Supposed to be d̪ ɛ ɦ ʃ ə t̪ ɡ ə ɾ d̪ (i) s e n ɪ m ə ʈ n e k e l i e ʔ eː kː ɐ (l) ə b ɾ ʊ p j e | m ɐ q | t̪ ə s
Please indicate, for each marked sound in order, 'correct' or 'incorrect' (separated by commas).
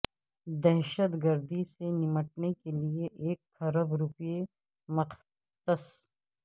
correct, incorrect